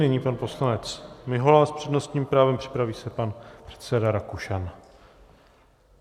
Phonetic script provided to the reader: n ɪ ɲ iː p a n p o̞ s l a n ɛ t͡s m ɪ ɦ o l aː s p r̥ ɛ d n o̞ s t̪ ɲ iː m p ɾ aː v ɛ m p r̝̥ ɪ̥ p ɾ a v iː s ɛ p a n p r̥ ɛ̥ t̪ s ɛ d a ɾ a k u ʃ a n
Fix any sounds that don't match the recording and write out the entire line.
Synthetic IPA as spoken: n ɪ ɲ iː p a n p o̞ s l a n ɛ t͡s m ɪ ɦ o l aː s p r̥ ɛ d n o̞ s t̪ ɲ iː m p ɾ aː v ɛ m p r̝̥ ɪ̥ p ɾ a v iː s ɛ p a n p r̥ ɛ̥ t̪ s ɛ d a ɾ a k u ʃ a n